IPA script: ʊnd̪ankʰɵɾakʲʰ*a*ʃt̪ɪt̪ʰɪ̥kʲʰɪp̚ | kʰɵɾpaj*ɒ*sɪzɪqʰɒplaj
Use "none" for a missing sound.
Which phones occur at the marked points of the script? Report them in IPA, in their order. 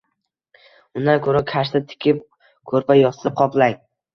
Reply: a, ɒ

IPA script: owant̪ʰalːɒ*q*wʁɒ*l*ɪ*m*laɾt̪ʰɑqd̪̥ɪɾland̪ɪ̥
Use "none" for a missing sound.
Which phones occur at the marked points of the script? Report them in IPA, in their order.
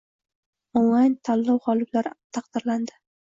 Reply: none, l, b

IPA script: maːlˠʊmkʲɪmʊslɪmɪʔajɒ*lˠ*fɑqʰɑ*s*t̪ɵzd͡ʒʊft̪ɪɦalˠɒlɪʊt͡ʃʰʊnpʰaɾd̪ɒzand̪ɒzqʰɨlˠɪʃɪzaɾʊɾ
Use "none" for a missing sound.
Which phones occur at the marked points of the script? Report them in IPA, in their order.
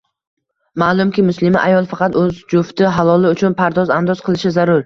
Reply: lˠ, none

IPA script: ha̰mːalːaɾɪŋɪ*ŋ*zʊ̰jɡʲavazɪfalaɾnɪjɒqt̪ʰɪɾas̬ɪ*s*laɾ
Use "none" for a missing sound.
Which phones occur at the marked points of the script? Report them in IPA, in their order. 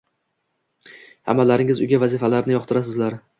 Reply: none, z

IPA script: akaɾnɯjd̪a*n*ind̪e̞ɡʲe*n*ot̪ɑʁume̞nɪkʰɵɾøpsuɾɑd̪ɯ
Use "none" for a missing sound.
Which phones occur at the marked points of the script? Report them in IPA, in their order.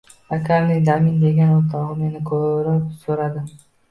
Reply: m, n

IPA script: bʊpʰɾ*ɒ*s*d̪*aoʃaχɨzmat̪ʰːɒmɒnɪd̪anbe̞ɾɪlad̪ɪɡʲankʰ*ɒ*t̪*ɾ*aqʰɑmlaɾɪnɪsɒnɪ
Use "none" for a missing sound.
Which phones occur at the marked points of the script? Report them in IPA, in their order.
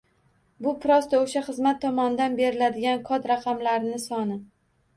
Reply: ɒ, t̪, ɒ, ɾ

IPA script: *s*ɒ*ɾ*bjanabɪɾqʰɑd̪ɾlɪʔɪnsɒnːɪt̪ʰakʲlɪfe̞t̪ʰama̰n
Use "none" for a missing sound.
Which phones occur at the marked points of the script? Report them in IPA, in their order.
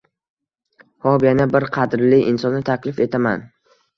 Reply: h, none

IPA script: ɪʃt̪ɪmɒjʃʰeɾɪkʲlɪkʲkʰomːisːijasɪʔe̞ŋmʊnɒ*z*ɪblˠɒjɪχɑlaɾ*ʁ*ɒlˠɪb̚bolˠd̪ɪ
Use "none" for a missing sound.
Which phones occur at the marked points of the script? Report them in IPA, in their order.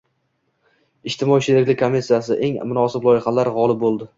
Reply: s, ʁ

